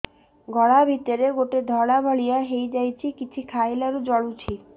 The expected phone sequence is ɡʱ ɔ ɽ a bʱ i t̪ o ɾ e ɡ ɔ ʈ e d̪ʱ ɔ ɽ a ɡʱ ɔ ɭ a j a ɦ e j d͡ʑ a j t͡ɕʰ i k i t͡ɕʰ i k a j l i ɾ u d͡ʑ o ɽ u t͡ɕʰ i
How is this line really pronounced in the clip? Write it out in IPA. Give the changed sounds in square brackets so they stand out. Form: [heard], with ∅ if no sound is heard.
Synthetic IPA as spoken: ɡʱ ɔ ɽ a bʱ i t̪ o ɾ e ɡ [o] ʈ e d̪ʱ ɔ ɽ a [bʱ] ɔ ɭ [i] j a ɦ e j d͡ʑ a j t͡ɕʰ i k i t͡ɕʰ i [kʰ] a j l [a] ɾ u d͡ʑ [ɔ] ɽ u t͡ɕʰ i